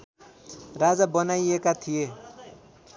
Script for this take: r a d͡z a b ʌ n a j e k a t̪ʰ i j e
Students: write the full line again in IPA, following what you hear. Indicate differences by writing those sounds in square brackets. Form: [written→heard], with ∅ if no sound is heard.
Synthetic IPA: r a d͡z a b ʌ n a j e k a t̪ʰ i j e